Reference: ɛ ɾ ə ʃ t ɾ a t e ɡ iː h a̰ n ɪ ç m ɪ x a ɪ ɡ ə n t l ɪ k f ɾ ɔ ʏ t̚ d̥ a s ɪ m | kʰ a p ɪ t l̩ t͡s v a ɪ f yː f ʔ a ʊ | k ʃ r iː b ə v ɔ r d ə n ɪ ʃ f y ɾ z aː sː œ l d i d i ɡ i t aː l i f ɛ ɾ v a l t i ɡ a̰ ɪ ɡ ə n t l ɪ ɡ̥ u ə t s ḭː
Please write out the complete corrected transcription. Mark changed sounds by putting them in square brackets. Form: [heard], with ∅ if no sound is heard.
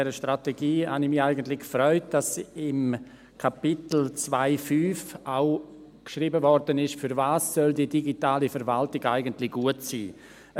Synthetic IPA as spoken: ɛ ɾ ə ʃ t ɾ a t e ɡ iː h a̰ n ɪ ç m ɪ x a ɪ ɡ ə n t l ɪ k f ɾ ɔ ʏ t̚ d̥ a s ɪ m | kʰ a p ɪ t l̩ t͡s v a ɪ f yː f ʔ a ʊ | k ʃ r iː b ə v ɔ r d ə n ɪ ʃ f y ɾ [v] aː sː œ l d i d i ɡ i t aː l i f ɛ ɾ v a l t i ɡ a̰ ɪ ɡ ə n t l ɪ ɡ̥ u ə t s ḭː